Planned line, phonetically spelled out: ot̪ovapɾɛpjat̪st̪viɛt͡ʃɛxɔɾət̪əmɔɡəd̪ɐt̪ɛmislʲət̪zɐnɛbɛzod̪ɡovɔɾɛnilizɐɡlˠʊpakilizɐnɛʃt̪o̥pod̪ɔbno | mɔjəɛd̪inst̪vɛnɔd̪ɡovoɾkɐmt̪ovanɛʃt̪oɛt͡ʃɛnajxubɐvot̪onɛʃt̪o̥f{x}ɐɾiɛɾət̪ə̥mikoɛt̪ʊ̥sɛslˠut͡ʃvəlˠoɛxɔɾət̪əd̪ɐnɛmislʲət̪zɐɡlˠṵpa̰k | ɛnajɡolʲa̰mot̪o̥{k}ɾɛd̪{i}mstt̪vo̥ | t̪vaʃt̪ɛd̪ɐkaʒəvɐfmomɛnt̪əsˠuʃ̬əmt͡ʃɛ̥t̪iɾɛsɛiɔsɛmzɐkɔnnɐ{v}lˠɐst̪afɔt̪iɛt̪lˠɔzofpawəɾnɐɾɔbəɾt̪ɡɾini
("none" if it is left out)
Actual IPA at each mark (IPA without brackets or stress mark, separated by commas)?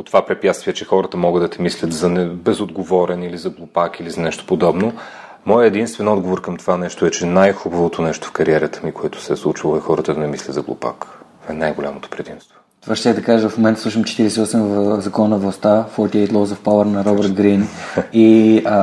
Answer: k, p, i, v